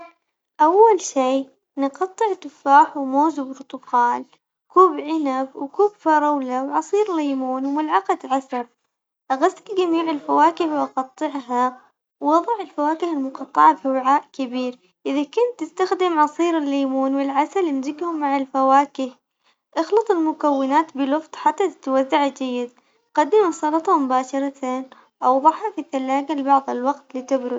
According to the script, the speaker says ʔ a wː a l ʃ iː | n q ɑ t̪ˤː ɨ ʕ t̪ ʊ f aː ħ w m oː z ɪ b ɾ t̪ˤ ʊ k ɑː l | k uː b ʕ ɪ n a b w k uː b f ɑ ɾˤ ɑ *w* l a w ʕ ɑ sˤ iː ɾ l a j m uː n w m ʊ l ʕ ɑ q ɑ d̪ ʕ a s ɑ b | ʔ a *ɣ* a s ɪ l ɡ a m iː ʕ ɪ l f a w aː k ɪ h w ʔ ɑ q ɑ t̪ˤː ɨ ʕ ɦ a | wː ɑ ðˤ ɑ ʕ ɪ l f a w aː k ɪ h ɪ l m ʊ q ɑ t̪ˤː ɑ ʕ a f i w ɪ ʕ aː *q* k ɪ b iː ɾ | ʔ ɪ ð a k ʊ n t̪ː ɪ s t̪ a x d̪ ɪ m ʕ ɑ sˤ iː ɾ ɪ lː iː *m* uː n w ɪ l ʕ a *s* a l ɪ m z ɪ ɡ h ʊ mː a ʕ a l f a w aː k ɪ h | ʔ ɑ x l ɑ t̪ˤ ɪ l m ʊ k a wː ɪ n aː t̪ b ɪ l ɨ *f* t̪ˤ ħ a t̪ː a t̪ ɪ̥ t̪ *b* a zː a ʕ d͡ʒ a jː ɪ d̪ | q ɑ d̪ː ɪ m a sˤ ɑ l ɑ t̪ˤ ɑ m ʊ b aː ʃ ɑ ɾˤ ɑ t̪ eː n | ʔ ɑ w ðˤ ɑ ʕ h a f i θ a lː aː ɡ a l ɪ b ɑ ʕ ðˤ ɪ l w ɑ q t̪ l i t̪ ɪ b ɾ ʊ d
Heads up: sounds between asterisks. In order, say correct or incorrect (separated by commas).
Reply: correct, correct, incorrect, correct, correct, correct, incorrect